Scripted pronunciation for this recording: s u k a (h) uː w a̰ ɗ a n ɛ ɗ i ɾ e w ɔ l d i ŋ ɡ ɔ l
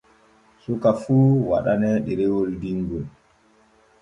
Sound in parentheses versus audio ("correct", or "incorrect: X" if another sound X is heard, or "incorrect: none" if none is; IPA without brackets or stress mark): incorrect: f